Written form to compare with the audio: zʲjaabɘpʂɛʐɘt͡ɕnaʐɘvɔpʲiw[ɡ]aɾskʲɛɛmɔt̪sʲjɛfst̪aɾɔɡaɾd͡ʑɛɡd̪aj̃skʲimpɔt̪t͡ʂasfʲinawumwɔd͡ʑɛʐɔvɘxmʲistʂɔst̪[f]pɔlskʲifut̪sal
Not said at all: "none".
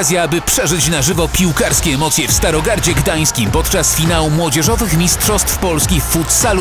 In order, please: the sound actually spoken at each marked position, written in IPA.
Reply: k, f

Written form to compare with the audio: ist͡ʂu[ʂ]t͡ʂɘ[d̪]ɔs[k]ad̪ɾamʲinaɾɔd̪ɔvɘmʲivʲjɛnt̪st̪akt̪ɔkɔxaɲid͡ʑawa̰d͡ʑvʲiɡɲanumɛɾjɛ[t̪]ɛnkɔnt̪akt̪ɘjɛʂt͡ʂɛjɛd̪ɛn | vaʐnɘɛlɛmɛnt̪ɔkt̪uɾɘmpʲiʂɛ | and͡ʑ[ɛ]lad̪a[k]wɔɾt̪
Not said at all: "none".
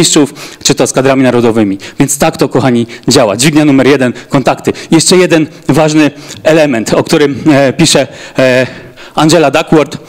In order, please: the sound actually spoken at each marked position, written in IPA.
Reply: f, t̪, k, d̪, ɛ, k

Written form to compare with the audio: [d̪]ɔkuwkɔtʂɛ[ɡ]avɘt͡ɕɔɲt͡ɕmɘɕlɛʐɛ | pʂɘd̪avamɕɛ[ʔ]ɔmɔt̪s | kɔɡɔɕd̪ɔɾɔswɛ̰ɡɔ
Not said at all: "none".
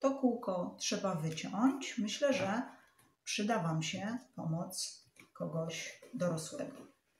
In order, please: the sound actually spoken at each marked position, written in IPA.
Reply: t̪, b, p

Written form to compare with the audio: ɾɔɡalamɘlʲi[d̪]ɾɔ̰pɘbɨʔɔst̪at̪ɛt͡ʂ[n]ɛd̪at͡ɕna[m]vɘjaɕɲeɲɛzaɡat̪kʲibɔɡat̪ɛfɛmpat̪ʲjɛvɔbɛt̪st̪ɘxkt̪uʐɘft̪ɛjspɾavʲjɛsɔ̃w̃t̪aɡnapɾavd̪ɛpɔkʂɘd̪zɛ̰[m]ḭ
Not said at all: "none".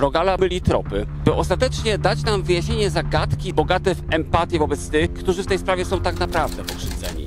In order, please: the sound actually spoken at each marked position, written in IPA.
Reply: t̪, ɲ, m, ɲ

